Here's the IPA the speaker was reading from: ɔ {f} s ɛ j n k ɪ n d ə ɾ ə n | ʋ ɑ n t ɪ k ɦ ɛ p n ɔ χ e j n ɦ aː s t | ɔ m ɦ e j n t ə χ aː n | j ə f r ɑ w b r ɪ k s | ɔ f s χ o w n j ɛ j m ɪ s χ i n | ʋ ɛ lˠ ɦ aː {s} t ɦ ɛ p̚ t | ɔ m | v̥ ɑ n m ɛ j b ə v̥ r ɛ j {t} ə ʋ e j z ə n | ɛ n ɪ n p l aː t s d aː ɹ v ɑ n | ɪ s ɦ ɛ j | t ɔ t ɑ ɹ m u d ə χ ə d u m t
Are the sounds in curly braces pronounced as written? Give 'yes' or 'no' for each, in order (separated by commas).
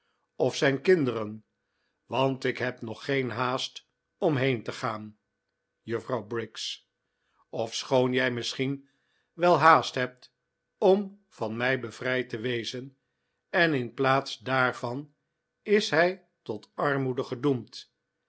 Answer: yes, yes, yes